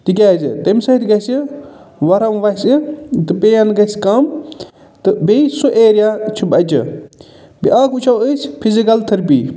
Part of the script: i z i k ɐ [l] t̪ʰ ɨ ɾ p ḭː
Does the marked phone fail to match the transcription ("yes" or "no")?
no